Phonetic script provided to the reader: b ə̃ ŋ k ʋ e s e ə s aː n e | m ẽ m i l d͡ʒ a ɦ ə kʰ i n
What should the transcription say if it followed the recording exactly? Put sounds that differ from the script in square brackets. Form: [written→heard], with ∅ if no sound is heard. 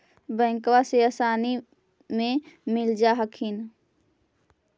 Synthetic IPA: b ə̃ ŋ k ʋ [e→a] s e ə s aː n [e→i] | m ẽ m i l d͡ʒ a ɦ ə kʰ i n